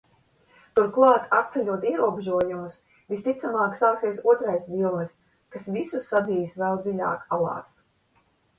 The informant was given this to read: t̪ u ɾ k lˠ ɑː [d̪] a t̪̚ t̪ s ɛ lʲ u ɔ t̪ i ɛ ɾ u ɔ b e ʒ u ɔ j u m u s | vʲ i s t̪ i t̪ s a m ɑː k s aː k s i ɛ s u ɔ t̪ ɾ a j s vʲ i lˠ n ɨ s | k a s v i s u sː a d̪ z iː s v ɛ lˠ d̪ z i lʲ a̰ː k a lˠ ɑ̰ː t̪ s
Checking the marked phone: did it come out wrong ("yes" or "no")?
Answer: yes